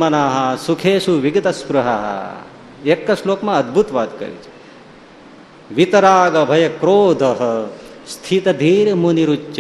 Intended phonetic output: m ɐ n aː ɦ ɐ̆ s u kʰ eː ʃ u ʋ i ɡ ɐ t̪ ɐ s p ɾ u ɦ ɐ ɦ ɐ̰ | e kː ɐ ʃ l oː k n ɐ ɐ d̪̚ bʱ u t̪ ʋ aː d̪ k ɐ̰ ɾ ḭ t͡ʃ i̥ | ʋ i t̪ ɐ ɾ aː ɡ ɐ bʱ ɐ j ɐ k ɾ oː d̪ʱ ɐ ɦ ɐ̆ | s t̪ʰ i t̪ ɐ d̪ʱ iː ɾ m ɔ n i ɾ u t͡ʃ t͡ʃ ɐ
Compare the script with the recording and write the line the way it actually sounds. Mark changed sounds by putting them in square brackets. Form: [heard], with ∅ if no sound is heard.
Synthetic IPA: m ɐ n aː ɦ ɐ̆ s u kʰ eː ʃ u ʋ i ɡ ɐ t̪ ɐ s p ɾ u ɦ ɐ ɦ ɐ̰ | e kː ɐ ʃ l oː k [m] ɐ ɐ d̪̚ bʱ u t̪ ʋ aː d̪ k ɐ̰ ɾ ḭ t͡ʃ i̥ | ʋ i t̪ ɐ ɾ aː ɡ ɐ bʱ ɐ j ɐ k ɾ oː d̪ʱ ɐ ɦ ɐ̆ | s t̪ʰ i t̪ ɐ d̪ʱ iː ɾ m [u] n i ɾ u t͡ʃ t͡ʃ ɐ